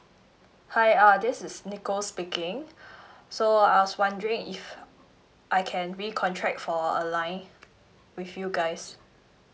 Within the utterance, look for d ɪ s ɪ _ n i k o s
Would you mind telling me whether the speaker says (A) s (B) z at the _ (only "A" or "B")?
A